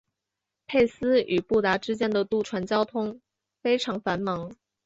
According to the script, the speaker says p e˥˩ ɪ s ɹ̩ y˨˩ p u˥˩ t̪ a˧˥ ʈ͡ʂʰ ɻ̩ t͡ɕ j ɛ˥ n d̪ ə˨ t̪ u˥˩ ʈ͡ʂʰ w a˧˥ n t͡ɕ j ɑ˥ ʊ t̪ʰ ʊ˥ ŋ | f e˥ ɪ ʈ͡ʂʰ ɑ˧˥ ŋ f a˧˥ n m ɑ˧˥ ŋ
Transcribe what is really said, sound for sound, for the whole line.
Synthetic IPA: pʰ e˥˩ ɪ s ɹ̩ y˨˩ p u˥˩ t̪ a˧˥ ʈ͡ʂ ɻ̩ t͡ɕ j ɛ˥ n d̪ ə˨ t̪ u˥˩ ʈ͡ʂʰ w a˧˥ n t͡ɕ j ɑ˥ ʊ t̪ʰ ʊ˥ ŋ | f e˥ ɪ ʈ͡ʂʰ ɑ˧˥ ŋ f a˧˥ n m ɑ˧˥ ŋ